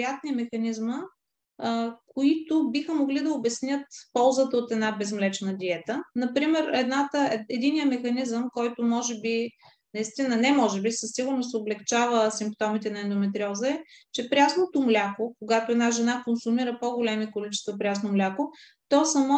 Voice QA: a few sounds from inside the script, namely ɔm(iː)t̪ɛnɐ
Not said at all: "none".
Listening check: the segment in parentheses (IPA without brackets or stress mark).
i